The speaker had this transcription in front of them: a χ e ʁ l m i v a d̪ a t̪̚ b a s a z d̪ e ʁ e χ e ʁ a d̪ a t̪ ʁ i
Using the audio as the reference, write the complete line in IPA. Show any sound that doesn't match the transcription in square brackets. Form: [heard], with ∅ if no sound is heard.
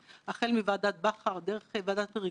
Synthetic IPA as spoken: a χ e [∅] l m i v a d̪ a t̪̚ b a [χ] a [ʁ] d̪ e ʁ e χ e [v] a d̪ a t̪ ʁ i